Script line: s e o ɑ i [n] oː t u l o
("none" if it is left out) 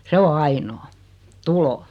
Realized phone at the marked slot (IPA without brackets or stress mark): n